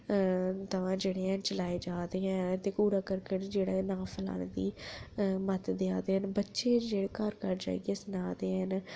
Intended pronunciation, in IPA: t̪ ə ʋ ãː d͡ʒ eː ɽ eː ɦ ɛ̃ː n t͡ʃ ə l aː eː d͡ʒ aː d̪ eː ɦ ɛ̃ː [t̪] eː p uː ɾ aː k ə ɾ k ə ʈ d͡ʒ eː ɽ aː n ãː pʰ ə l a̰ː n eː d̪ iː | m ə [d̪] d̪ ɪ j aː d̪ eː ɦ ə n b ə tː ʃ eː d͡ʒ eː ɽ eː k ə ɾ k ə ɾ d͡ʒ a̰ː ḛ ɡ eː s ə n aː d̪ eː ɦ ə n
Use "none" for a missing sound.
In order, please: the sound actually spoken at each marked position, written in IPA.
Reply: t̪, t̪

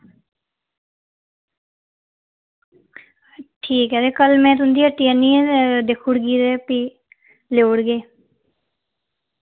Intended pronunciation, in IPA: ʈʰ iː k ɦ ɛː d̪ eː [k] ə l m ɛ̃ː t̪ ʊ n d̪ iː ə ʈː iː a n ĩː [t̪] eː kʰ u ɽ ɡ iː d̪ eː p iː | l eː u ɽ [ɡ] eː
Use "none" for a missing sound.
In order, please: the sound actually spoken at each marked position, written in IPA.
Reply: k, d̪, ɡ

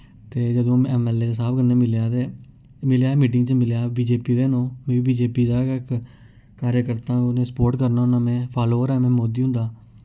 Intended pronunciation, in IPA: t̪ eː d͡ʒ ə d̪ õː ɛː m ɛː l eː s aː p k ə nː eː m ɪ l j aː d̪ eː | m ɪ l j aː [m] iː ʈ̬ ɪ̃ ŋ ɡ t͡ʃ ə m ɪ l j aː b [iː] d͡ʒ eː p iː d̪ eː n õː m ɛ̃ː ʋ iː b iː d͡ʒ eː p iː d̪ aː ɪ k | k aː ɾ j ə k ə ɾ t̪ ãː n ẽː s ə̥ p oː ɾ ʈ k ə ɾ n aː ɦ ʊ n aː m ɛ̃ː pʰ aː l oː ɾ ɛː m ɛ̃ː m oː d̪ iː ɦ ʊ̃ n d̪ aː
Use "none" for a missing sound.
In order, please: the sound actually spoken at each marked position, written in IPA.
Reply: m, iː

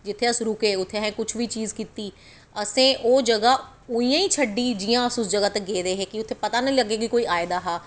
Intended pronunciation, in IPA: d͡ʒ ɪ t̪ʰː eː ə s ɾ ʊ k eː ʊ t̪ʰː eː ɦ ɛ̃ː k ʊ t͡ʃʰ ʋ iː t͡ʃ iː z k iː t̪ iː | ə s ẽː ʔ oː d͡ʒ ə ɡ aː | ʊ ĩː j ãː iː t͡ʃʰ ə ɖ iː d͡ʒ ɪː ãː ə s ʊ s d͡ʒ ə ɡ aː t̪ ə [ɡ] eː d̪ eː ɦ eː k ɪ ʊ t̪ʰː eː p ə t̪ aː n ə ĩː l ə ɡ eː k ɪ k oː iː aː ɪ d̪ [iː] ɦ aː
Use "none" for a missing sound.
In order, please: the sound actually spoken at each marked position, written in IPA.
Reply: ɡ, aː

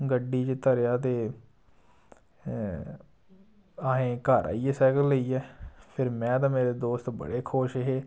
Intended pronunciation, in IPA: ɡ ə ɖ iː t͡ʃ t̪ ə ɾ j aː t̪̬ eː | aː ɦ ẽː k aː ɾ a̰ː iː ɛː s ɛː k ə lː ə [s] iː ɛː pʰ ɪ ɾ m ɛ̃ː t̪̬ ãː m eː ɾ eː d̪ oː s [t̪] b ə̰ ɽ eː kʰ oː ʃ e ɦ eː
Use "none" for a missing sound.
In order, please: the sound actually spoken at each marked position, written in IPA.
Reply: none, t̪

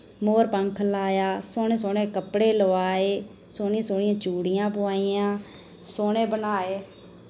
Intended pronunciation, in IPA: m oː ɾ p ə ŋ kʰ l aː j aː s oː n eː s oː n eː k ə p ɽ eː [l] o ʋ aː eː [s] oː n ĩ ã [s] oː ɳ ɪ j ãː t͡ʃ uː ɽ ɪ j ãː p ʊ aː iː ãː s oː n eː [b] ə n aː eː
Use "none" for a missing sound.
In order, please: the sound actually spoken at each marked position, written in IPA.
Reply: l, s, s, b

